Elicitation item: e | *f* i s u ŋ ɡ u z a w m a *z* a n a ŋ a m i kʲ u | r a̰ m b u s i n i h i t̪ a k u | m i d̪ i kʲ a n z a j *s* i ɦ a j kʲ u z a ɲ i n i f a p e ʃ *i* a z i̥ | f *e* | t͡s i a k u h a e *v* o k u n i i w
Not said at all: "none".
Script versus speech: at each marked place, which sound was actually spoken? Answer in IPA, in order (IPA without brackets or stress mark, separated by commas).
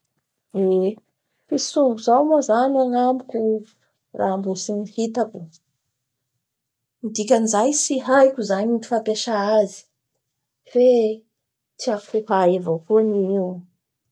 f, z, s, a, e, v